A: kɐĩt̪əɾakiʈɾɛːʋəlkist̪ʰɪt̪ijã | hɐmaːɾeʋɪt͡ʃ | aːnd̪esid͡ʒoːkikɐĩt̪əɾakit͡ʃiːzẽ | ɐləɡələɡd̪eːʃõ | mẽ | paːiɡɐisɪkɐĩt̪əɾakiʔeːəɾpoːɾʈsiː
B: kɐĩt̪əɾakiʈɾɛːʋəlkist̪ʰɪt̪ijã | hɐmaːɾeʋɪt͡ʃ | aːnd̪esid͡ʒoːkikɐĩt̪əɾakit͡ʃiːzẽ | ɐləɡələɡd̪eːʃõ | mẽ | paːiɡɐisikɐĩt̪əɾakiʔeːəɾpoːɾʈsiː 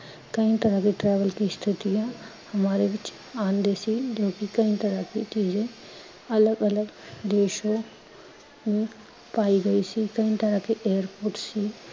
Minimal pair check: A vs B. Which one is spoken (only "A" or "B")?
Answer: B